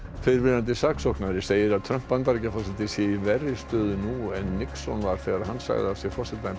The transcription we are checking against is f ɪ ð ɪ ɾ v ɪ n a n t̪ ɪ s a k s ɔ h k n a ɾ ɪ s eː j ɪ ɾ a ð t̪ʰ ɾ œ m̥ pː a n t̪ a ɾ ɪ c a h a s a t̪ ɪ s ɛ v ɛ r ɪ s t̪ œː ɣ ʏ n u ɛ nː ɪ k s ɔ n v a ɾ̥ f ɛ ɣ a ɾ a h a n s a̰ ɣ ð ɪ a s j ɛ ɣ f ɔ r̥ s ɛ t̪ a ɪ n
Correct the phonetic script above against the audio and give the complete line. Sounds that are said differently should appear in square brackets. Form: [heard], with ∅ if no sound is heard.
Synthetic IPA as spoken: f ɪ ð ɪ ɾ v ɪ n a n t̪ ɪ s a k s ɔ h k n a ɾ ɪ s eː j ɪ ɾ a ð t̪ʰ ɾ œ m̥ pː a n t̪ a ɾ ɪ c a [f] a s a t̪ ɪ s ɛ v ɛ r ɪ s t̪ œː [ð] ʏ n u ɛ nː ɪ k s ɔ n v a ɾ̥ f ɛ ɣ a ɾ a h a n s a̰ ɣ ð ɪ a s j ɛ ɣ f ɔ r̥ s ɛ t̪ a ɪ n